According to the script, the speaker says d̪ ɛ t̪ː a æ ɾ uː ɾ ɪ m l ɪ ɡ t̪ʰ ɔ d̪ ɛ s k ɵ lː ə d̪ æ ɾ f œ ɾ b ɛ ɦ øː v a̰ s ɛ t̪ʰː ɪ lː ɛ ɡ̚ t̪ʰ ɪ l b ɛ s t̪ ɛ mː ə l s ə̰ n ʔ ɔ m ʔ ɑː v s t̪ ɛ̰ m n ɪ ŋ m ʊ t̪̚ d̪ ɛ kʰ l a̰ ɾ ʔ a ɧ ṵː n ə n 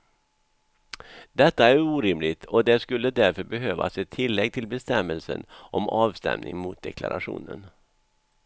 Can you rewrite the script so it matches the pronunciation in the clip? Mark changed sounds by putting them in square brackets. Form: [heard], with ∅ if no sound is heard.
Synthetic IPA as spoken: d̪ ɛ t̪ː a æ ɾ uː ɾ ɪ m l ɪ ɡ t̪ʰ ɔ d̪ ɛ s k ɵ lː ə d̪ æ ɾ f œ ɾ b ɛ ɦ øː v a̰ s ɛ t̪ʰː ɪ lː ɛ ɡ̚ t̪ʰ ɪ l b ɛ s t̪ ɛ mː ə l s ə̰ n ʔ ɔ m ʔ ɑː v s t̪ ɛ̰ m n ɪ ŋ m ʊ t̪̚ d̪ ɛ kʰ l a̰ ɾ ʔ a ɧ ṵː n ə n